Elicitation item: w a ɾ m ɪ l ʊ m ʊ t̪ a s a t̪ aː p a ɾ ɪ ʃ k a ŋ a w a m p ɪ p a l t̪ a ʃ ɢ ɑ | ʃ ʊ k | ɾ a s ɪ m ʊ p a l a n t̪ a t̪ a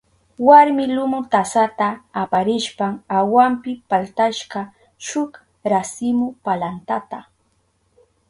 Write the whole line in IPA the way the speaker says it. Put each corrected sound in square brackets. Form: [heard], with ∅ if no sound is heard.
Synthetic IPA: w a ɾ m ɪ l ʊ m ʊ t̪ a s a t̪ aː p a ɾ ɪ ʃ [p] a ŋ a w a m p ɪ p a l t̪ a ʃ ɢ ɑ | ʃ ʊ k | ɾ a s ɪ m ʊ p a l a n t̪ a t̪ a

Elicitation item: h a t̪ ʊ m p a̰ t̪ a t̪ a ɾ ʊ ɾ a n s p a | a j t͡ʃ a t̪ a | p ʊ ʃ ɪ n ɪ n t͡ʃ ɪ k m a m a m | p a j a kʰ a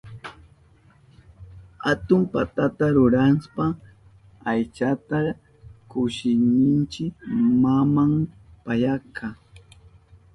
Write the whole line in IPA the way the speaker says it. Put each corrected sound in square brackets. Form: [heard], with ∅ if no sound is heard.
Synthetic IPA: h a t̪ ʊ m p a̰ t̪ a t̪ a ɾ ʊ ɾ a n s p a | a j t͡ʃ a t̪ a | [k] ʊ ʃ ɪ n ɪ n t͡ʃ ɪ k m a m a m | p a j a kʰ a

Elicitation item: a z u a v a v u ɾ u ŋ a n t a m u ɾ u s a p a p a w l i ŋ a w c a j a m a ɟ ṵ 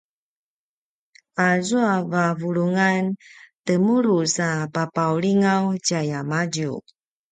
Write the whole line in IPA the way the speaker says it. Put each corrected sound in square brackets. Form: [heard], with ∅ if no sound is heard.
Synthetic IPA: a z u a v a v u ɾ u ŋ a n t [ə] m u ɾ u s a p a p a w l i ŋ a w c a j a m a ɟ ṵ

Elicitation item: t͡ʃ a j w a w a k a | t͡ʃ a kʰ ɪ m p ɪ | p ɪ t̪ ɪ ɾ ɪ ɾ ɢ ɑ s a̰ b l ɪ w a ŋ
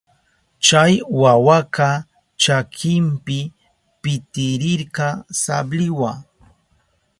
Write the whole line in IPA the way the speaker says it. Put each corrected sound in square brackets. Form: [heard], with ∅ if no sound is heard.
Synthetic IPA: t͡ʃ a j w a w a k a | t͡ʃ a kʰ ɪ m p ɪ | p ɪ t̪ ɪ ɾ ɪ ɾ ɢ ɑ s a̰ b l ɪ w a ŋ

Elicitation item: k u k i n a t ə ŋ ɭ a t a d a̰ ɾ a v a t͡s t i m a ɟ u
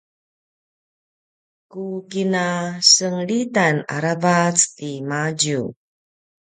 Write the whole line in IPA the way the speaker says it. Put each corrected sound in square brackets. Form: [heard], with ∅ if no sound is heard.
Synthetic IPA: k u k i n a [s] ə ŋ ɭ [i] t a [n] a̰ ɾ a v a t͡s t i m a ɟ u

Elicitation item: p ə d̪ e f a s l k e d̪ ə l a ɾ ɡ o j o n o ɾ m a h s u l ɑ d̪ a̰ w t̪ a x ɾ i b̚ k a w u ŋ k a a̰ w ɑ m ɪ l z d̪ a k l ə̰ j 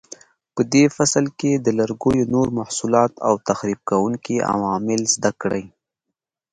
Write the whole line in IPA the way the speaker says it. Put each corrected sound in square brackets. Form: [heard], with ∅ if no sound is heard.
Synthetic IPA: p ə d̪ e f a s l k e d̪ ə l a ɾ ɡ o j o n o ɾ m a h s u l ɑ [t̪] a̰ w t̪ a x ɾ i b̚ k a w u ŋ k [i] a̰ w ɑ m ɪ l z d̪ a k [ɽ] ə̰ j

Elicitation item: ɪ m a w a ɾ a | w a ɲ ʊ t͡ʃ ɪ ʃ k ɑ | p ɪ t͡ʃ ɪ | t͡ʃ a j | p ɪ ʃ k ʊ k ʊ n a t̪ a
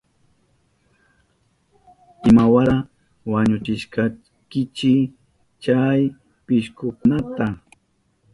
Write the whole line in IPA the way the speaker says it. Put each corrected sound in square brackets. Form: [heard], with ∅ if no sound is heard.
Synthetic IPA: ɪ m a w a ɾ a | w a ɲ ʊ t͡ʃ ɪ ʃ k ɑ | [k] ɪ t͡ʃ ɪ | t͡ʃ a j | p ɪ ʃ k ʊ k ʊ n a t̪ a

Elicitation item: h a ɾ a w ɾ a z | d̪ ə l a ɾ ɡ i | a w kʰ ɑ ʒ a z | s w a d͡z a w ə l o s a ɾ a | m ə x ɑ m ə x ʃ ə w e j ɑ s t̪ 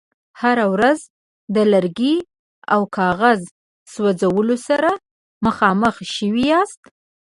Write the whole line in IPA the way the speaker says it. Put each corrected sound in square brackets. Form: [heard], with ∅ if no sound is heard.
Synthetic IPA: h a ɾ a w ɾ a z | d̪ ə l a ɾ ɡ i | a w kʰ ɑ [ɣ] a z | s w a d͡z a w ə l o s a ɾ a | m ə x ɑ m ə x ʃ ə w [i] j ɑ s t̪

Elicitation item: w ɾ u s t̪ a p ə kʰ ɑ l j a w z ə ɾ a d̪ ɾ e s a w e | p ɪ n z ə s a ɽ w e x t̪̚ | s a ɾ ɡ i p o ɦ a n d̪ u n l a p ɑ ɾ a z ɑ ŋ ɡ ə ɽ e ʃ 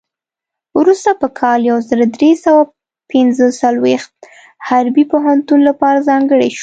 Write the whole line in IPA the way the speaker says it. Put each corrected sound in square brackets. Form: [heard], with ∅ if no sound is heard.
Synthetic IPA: w ɾ u s t̪ a p ə kʰ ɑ l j a w z ə ɾ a d̪ ɾ e s a w [a] | p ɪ n z ə s a [l] w e x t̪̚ | [h] a ɾ [b] i p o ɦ a n [t̪] u n l a p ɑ ɾ a z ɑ ŋ ɡ ə ɽ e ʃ

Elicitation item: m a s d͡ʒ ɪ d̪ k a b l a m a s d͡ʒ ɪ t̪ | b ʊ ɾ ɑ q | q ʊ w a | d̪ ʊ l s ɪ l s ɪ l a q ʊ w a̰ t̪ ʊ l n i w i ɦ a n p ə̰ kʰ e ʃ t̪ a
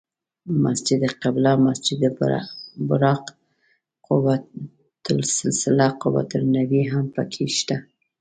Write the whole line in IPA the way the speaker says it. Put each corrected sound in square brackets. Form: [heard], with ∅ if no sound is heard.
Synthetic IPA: m a s d͡ʒ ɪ d̪ [q] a b l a m a s d͡ʒ ɪ [d̪] | b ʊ ɾ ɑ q | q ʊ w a | [t̪] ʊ l s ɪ l s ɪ l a q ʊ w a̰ t̪ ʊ l n [a] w i ɦ a [m] p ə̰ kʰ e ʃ t̪ a

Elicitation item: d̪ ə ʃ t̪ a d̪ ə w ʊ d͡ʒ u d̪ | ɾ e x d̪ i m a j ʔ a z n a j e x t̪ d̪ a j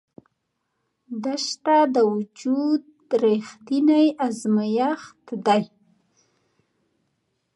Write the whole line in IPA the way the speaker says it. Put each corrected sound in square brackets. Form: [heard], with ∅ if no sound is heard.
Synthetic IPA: d̪ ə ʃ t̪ a d̪ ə w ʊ d͡ʒ u d̪ | ɾ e x [t̪] i [n] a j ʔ a z [m] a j [a] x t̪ d̪ a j

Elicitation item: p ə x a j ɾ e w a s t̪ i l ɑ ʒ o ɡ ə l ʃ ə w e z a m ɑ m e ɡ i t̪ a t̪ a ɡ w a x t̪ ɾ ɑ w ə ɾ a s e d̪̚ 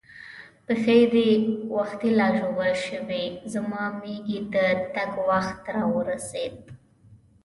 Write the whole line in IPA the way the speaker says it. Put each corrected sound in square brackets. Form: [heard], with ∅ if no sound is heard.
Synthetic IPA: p ə x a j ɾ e w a [x] t̪ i l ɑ ʒ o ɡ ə l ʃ ə w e z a m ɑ m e ɡ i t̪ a t̪ a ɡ w a x t̪ ɾ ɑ w ə ɾ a s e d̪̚

